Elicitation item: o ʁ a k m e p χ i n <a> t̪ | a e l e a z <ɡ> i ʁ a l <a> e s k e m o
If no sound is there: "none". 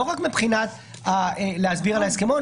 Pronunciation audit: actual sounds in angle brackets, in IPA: a, b, a

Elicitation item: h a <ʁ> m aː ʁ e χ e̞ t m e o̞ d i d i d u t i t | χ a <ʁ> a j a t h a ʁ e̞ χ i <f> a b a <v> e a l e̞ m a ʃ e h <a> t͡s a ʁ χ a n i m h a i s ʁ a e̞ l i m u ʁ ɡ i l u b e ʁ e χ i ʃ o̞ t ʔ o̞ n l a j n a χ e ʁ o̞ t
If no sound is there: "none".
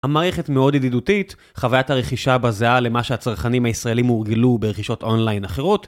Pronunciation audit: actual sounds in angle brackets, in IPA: none, v, ʃ, z, a

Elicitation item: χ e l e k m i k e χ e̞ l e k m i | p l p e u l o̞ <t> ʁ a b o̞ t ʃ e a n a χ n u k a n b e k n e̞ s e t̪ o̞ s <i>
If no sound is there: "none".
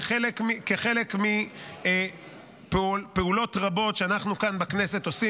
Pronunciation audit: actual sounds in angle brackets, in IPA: t, i

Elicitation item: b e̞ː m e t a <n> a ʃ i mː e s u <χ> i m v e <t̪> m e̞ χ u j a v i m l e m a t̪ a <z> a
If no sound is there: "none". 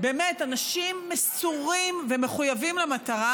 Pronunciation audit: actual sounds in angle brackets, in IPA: n, ʁ, none, ʁ

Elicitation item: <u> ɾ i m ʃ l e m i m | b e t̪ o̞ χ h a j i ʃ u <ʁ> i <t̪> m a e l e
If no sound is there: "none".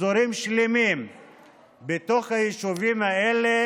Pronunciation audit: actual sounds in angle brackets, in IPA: o, v, none

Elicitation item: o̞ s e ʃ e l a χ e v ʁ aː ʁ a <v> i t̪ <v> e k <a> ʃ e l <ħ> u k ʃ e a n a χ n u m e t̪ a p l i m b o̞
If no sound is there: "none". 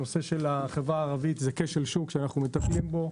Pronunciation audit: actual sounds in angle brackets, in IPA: v, z, e, ʃ

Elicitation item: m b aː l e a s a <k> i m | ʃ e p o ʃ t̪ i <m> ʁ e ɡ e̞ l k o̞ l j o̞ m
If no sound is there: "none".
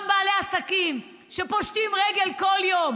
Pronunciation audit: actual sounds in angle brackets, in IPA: k, m

